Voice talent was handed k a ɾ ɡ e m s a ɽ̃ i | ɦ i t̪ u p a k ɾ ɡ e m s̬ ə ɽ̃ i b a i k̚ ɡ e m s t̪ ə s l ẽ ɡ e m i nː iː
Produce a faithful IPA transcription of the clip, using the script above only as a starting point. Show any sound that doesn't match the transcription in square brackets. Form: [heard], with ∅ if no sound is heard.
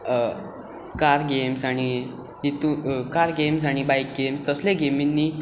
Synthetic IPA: k a ɾ ɡ e m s a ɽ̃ i | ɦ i t̪ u [k] a [∅] ɾ ɡ e m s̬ [a] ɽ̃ i b a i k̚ ɡ e m s t̪ ə s l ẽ ɡ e m i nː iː